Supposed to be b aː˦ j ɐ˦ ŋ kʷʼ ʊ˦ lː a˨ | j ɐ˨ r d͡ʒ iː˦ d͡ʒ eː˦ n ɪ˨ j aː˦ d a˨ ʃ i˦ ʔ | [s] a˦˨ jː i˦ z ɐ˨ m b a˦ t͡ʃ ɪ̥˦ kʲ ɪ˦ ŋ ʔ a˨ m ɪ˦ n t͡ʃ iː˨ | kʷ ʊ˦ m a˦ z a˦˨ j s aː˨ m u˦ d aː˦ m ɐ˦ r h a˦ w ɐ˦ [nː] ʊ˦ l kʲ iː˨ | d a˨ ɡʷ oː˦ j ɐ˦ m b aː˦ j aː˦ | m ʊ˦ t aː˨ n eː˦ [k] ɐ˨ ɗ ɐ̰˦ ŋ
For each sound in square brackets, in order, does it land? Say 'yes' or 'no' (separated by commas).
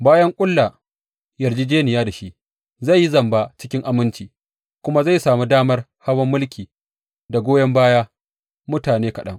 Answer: no, no, yes